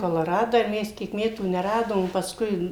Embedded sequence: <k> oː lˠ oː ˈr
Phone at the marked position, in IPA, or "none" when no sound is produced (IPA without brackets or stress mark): k